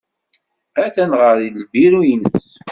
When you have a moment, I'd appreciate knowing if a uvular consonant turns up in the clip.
yes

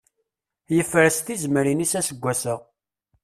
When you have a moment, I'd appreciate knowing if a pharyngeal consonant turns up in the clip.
no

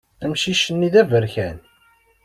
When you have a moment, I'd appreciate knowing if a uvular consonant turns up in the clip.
no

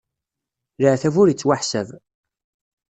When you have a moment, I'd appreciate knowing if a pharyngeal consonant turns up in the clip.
yes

